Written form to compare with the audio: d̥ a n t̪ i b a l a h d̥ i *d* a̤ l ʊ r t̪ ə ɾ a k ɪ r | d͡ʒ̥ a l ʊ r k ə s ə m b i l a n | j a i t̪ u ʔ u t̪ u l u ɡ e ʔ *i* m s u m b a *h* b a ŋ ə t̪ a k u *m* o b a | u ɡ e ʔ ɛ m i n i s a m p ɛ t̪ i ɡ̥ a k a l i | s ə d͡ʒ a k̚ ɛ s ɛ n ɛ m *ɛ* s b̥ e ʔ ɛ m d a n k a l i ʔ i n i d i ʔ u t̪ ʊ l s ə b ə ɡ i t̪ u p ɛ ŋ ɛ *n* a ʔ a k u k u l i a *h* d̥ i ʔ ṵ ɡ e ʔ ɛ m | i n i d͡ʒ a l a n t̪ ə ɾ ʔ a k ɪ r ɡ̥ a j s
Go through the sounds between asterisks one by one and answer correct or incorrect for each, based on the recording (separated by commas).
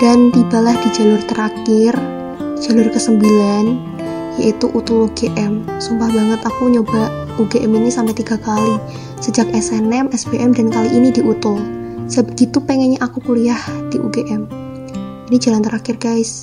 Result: incorrect, incorrect, correct, incorrect, correct, incorrect, correct